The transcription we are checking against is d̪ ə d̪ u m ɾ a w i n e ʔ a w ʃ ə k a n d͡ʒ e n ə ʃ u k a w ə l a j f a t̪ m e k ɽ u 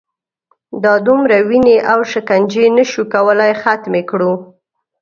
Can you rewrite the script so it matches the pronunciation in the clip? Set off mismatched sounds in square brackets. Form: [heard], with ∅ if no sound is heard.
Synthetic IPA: d̪ [ɑ] d̪ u m ɾ a w i n e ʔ a w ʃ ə k a n d͡ʒ e n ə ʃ u k a w ə l a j [x] a t̪ m e k ɽ u